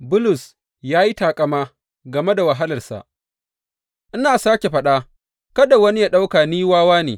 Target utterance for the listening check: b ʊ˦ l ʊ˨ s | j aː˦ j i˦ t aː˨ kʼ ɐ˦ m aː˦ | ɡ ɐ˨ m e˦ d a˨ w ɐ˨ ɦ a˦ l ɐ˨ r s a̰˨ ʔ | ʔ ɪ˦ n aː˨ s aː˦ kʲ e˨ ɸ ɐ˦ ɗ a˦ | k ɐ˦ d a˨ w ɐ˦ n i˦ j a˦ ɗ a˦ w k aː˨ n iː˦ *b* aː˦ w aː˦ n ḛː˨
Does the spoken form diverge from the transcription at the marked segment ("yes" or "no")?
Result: yes